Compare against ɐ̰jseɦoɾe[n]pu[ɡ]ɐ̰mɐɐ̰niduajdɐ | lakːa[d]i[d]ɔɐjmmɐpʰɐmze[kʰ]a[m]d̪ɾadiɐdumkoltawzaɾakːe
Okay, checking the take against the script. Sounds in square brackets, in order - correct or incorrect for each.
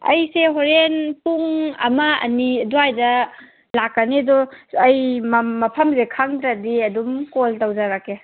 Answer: correct, incorrect: ŋ, incorrect: n, correct, correct, incorrect: ŋ

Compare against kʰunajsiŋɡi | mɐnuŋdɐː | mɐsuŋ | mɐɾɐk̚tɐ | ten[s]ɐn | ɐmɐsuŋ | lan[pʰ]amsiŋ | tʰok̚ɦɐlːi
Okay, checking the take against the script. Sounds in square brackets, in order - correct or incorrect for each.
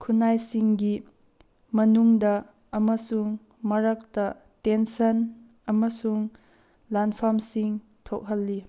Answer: correct, correct

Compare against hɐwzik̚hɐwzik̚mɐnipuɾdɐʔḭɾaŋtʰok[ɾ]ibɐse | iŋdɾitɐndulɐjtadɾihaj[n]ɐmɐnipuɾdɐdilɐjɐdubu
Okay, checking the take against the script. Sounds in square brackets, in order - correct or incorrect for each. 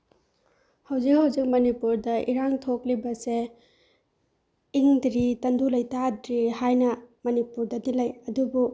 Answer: incorrect: l, correct

